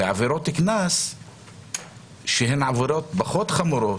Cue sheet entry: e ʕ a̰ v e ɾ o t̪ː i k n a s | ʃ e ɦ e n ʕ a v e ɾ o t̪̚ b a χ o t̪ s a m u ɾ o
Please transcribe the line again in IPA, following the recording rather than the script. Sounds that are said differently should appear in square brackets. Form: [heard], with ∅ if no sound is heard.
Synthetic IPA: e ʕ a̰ v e ɾ o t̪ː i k n a s | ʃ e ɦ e n ʕ a v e ɾ o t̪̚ b a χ o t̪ [χ] a m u ɾ o